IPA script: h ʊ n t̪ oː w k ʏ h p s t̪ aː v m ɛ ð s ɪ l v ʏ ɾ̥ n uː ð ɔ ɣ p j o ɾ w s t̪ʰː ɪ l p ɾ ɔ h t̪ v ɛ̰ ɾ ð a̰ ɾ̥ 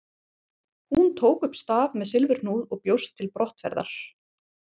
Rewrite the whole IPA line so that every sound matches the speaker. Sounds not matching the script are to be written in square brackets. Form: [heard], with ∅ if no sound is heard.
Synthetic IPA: h [u] n [t̪ʰ] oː w k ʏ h p s t̪ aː v m ɛ ð s ɪ l v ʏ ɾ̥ n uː ð ɔ ɣ p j o [∅] w s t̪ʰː ɪ l p ɾ ɔ h t̪ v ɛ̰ ɾ ð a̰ ɾ̥